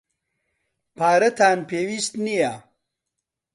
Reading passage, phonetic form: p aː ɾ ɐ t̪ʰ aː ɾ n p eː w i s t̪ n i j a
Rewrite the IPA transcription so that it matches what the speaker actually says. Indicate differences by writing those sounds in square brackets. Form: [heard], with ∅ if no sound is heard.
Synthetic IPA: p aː ɾ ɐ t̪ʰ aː [∅] n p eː w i s t̪ n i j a